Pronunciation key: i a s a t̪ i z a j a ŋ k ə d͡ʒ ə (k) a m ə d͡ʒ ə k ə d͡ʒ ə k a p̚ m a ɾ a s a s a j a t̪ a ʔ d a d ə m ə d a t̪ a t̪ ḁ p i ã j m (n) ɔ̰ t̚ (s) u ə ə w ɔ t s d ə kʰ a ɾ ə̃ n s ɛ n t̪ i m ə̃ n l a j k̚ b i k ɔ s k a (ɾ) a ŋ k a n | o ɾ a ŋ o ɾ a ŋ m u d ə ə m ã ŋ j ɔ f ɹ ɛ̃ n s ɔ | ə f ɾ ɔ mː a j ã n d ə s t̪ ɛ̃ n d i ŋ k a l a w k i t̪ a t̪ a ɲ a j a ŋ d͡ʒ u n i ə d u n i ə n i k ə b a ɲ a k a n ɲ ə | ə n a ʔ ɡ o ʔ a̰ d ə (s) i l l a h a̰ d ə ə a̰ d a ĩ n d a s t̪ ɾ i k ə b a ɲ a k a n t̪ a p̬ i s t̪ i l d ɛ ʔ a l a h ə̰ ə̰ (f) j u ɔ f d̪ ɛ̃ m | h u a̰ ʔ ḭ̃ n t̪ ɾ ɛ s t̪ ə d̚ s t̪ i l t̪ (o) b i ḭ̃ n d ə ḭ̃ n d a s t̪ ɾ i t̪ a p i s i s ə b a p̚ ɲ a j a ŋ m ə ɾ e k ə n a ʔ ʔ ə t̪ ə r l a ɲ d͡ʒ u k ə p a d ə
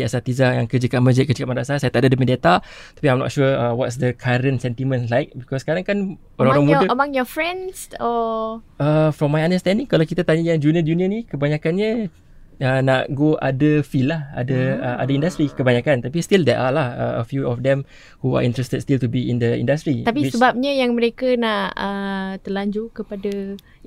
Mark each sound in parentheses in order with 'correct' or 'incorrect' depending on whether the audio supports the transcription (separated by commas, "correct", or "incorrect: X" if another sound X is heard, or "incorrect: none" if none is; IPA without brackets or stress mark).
correct, correct, incorrect: ʃ, correct, incorrect: f, correct, incorrect: u